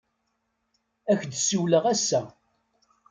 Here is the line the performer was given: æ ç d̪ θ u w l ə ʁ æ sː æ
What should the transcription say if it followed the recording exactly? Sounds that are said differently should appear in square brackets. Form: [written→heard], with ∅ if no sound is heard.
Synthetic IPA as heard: æ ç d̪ [θ→s] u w l ə ʁ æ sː æ